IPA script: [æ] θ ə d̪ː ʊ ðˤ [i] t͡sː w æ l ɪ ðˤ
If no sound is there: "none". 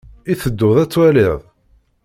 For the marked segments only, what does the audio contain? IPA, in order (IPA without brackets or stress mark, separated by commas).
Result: i, æ